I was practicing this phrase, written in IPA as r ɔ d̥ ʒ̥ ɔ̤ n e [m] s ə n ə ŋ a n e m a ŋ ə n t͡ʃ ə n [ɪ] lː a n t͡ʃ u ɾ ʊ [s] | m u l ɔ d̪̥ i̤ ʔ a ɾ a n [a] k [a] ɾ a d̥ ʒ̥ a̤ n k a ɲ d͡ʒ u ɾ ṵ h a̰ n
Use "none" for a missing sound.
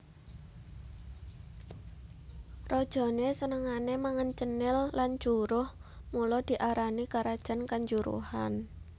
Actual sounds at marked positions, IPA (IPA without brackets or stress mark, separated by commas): none, ɪ, h, i, a